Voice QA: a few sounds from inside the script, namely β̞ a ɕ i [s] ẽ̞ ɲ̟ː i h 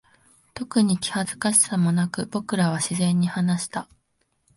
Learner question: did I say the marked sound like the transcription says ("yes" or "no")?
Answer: no